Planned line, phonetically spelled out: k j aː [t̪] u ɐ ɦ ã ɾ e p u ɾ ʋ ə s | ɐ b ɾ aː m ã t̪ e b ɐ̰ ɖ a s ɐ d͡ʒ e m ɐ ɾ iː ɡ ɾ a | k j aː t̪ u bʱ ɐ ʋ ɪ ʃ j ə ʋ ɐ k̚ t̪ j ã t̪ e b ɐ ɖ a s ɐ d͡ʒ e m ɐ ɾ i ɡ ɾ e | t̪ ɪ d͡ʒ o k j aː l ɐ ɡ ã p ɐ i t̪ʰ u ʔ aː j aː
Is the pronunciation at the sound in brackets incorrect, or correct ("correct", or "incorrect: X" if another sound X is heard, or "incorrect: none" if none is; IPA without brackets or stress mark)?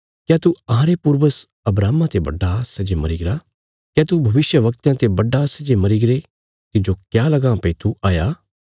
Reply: correct